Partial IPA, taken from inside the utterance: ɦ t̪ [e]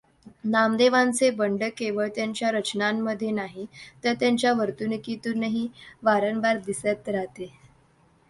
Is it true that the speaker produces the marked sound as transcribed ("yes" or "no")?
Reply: yes